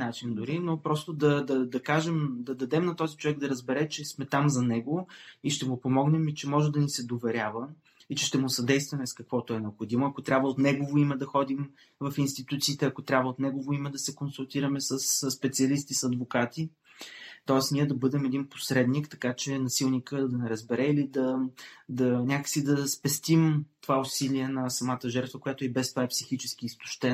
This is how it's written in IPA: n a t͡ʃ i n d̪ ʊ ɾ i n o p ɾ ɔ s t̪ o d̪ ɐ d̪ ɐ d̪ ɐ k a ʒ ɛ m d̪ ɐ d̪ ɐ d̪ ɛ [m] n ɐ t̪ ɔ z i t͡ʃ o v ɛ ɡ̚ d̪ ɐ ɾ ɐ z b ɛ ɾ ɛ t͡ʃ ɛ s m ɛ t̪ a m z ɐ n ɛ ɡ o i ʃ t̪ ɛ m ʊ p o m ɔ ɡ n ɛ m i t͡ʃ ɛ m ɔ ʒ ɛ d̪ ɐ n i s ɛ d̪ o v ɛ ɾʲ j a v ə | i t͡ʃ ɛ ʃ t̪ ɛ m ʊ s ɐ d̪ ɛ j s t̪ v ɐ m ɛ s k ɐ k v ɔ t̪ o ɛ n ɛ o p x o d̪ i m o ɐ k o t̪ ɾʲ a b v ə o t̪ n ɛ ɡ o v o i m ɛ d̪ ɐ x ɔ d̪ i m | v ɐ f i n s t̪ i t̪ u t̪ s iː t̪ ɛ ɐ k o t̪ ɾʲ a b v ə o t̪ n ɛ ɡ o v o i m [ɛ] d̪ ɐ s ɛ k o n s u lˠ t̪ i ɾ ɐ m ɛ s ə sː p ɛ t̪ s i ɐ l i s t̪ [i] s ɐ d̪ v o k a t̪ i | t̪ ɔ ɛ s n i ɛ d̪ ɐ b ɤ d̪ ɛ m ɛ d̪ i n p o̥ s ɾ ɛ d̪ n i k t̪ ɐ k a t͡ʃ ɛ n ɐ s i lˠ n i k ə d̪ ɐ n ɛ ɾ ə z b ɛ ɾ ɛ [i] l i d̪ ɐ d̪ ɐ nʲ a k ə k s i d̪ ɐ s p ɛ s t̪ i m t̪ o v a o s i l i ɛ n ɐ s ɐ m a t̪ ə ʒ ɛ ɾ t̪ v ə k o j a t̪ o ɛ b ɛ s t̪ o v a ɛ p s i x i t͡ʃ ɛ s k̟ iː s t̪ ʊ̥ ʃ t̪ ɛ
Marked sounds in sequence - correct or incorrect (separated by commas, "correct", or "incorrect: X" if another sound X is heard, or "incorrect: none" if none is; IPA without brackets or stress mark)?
correct, correct, correct, correct